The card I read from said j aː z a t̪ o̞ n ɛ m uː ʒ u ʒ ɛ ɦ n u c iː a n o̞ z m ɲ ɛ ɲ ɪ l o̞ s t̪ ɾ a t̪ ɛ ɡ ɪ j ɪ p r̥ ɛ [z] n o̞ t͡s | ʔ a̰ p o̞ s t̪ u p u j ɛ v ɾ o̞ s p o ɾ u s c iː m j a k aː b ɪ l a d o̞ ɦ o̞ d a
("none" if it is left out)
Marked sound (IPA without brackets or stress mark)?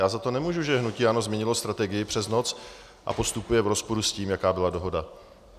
z